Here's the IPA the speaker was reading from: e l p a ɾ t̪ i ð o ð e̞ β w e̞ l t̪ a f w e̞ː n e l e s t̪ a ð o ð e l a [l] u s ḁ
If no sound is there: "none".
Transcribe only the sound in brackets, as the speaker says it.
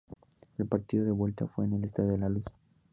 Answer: l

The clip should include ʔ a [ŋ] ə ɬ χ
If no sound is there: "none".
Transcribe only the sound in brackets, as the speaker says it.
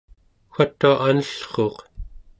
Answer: n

